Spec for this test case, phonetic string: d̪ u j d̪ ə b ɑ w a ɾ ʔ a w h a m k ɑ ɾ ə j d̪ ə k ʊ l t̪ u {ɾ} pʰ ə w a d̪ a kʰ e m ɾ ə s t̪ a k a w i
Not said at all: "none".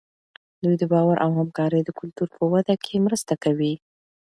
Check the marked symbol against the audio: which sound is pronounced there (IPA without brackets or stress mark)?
ɾ